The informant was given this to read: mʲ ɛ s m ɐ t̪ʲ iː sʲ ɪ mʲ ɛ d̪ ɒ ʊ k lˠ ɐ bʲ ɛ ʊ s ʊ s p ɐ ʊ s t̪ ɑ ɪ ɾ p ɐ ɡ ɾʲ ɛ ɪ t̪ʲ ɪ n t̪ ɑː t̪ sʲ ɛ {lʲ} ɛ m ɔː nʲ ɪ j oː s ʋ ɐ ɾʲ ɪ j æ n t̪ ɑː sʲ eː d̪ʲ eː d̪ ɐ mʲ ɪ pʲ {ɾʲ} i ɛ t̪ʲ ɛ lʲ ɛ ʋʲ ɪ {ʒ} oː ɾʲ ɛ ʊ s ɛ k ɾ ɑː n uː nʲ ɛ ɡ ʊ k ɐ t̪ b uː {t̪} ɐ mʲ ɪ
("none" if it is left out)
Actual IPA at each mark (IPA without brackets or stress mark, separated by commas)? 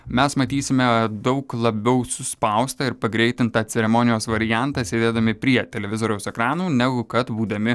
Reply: ɾʲ, ɾʲ, z, d̪